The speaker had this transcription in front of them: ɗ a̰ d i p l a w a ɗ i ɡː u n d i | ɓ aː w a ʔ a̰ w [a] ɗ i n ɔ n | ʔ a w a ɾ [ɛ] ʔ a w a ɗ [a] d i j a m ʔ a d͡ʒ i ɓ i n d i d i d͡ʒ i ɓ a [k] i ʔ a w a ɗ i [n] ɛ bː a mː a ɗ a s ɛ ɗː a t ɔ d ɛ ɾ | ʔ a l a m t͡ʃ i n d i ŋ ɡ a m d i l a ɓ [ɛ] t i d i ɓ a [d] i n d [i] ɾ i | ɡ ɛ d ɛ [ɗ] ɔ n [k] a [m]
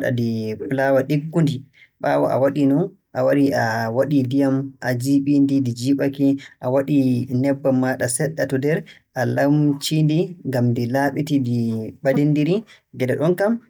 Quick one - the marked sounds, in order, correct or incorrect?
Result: correct, incorrect: i, incorrect: i, correct, correct, incorrect: i, correct, correct, correct, correct, correct

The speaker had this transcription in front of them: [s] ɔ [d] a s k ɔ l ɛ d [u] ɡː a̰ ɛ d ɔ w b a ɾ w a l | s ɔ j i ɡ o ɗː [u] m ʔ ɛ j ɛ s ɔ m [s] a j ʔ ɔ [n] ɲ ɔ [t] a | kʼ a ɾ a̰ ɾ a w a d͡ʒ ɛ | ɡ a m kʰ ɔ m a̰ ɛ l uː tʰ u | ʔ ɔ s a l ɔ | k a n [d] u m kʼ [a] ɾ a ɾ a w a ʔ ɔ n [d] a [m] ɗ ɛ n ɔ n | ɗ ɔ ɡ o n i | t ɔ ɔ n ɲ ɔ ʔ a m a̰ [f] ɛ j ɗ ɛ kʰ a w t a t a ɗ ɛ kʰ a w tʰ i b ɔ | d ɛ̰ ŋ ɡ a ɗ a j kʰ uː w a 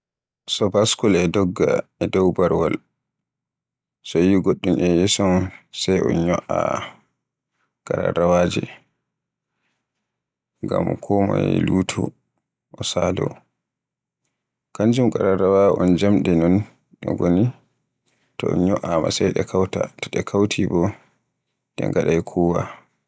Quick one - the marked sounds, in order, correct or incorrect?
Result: correct, incorrect: b, incorrect: ɔ, correct, correct, correct, incorrect: ʔ, incorrect: d͡ʒ, correct, incorrect: d͡ʒ, correct, incorrect: s

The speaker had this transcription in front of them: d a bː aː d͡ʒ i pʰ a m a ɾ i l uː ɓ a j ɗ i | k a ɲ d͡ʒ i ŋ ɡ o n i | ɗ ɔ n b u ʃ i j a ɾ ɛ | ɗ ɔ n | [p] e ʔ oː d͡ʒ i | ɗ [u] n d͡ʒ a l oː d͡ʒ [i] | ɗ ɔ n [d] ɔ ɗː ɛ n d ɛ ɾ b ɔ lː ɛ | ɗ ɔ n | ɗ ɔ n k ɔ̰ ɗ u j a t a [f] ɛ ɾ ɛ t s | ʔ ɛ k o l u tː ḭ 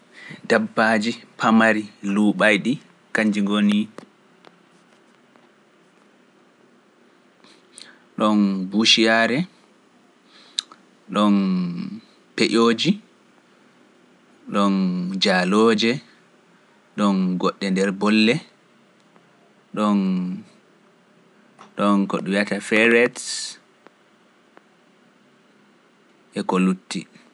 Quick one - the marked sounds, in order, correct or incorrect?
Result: correct, incorrect: ɔ, incorrect: ɛ, incorrect: ɡ, correct

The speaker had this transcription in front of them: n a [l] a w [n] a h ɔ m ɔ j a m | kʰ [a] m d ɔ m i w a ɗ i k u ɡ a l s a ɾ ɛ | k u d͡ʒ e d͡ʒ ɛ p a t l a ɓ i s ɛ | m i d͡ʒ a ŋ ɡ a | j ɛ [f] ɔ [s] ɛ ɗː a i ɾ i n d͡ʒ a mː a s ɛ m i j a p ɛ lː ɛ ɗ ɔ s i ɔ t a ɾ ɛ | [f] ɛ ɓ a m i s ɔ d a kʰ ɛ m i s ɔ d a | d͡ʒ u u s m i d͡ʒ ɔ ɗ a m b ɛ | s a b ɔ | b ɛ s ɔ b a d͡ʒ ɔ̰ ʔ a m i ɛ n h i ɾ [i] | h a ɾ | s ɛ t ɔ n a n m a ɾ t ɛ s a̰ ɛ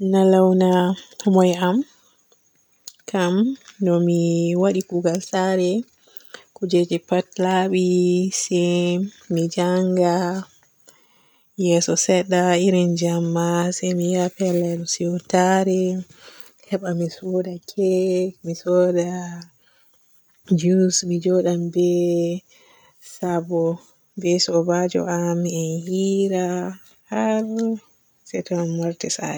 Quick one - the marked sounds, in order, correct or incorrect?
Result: correct, correct, correct, incorrect: s, correct, incorrect: h, incorrect: a

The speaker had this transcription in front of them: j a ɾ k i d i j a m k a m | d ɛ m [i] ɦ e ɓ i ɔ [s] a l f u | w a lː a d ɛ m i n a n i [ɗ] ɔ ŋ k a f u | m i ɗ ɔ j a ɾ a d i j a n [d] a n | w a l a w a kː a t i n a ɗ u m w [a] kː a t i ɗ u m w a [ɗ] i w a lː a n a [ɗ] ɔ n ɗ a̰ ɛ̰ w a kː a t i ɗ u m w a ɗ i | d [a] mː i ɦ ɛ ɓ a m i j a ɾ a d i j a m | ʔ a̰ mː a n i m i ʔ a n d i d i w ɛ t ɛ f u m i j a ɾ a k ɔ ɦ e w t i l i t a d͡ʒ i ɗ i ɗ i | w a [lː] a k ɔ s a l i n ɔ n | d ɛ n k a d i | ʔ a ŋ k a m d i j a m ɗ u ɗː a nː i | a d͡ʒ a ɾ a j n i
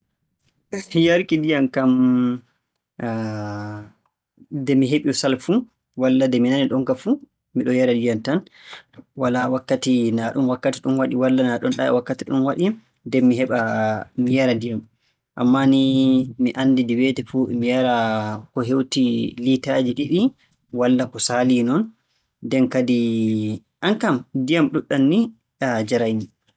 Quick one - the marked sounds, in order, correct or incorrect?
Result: correct, correct, correct, incorrect: t, correct, correct, correct, incorrect: ɛ, correct

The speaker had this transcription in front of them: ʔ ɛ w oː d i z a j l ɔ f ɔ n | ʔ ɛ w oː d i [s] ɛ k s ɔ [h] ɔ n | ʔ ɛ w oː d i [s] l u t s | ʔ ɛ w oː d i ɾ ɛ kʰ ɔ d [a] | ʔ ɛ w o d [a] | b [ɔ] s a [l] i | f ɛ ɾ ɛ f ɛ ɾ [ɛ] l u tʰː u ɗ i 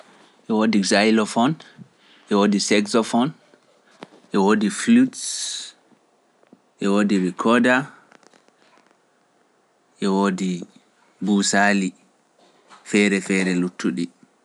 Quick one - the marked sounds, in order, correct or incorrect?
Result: correct, incorrect: f, incorrect: f, correct, incorrect: i, incorrect: u, correct, correct

